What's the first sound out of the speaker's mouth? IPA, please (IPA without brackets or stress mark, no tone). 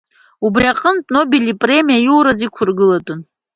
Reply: u